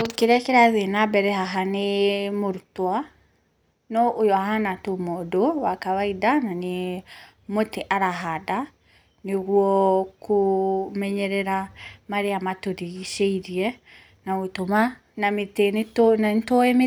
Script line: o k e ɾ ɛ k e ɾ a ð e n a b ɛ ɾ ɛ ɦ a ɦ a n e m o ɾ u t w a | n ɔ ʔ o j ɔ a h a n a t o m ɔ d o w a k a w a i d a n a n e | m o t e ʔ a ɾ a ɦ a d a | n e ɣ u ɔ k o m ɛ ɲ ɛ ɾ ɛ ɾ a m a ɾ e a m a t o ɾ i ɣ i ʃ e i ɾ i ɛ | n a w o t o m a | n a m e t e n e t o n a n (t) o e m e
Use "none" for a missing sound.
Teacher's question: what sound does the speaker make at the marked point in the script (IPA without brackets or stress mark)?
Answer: t